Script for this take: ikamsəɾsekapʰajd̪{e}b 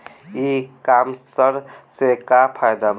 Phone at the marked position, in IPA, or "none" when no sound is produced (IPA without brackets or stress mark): a